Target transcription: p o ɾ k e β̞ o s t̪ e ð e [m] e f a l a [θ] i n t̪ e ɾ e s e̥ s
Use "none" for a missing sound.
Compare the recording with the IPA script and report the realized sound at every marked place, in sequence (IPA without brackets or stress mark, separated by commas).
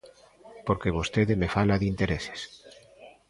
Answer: m, ð